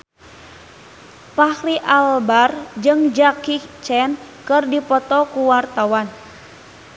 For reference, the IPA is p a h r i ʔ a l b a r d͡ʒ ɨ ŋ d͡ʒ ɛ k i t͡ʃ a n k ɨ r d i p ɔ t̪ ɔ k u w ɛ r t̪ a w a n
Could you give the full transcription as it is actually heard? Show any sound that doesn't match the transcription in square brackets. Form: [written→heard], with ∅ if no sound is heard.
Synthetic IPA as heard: p a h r i ʔ a l b a r d͡ʒ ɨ ŋ d͡ʒ [ɛ→a] k i t͡ʃ [a→ɛ] n k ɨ r d i p ɔ t̪ ɔ k u w [ɛ→a] r t̪ a w a n

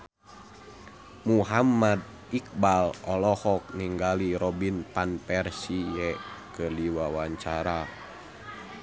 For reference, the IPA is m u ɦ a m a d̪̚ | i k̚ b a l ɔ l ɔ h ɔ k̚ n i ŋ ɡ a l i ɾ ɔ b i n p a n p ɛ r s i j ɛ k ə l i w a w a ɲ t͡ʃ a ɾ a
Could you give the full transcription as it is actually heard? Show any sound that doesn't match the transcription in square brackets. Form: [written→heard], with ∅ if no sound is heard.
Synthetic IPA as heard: m u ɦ a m a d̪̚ | i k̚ b a l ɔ l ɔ h ɔ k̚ n i ŋ ɡ a l i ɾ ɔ b i n p a n p ɛ r s i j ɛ k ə l i w a w a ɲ t͡ʃ a ɾ a

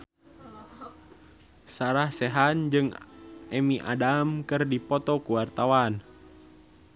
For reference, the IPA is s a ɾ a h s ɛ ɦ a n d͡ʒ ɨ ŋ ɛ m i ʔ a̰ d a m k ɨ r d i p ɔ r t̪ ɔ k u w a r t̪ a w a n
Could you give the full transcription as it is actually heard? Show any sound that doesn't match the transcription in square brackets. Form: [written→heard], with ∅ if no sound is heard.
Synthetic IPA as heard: s a ɾ a h s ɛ ɦ a n d͡ʒ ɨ ŋ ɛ m i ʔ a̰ d a m k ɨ r d i p ɔ [r→∅] t̪ ɔ k u w a r t̪ a w a n

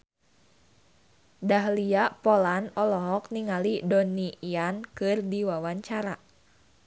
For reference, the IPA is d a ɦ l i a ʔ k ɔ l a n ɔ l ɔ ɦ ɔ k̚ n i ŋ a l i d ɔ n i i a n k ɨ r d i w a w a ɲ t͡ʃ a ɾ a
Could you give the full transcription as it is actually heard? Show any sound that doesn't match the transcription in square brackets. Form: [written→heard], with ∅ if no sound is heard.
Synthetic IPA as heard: d a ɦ l i a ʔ [k→p] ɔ l a n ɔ l ɔ ɦ ɔ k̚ n i ŋ a l i d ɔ n i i a n k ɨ r d i w a w a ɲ t͡ʃ a ɾ a

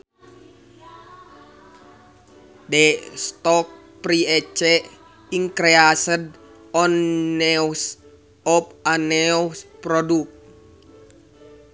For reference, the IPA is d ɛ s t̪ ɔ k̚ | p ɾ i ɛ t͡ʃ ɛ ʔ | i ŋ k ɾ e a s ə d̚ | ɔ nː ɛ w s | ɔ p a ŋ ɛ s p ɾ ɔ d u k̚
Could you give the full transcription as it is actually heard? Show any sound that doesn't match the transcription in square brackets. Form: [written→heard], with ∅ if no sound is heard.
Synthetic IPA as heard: d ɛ s t̪ ɔ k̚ | p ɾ i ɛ t͡ʃ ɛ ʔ | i ŋ k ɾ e a s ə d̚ | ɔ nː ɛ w s | ɔ p a [ŋ→n] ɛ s p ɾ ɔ d u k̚

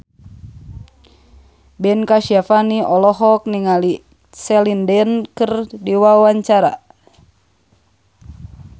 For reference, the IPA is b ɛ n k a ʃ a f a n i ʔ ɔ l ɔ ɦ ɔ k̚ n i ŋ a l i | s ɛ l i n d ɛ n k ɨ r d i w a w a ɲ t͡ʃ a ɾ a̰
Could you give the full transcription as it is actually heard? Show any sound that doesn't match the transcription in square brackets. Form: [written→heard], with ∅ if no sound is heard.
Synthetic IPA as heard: b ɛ n k a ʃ a f a n i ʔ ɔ l ɔ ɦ ɔ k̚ n i ŋ a l i | s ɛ l i n d ɛ n k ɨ r d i w a w a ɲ t͡ʃ a ɾ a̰

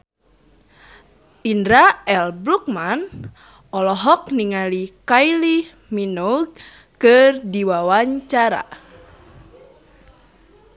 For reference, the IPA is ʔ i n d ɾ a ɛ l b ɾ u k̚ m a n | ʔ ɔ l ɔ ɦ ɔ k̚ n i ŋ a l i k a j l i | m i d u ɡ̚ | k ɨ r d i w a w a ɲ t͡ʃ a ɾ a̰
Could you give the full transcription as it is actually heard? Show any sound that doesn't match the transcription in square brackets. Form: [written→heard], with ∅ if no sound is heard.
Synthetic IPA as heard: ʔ i n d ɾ a ɛ l b ɾ u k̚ m a n | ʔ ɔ l ɔ ɦ ɔ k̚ n i ŋ a l i k a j l i | m i [d→n] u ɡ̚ | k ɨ r d i w a w a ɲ t͡ʃ a ɾ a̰

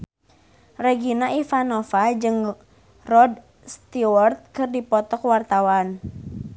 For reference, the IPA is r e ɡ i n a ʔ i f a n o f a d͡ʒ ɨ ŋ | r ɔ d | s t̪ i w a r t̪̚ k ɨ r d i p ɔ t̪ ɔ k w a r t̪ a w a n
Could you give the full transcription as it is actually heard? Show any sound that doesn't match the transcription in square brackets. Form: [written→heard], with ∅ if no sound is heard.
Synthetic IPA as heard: r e ɡ i n a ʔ i f a n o f a d͡ʒ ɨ ŋ | r ɔ d | s t̪ i w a r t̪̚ k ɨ r d i p ɔ t̪ ɔ k w a r t̪ a w a n

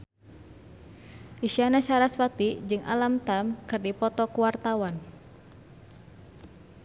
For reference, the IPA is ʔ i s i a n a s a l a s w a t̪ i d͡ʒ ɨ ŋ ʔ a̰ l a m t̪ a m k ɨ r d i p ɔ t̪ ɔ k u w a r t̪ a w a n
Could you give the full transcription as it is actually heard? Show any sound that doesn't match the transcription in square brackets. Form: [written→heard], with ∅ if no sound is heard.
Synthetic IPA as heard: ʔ i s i a n a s a [l→ɾ] a s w a t̪ i d͡ʒ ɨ ŋ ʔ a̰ l a m t̪ a m k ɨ r d i p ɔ t̪ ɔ k u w a r t̪ a w a n

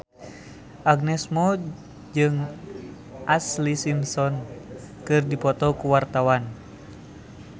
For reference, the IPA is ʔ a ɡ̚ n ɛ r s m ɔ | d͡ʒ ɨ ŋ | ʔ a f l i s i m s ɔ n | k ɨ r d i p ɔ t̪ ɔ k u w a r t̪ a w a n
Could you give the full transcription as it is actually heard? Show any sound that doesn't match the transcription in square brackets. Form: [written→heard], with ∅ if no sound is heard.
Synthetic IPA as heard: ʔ a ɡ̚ n ɛ [r→∅] s m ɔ | d͡ʒ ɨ ŋ | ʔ a [f→s] l i s i m s ɔ n | k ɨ r d i p ɔ t̪ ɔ k u w a r t̪ a w a n

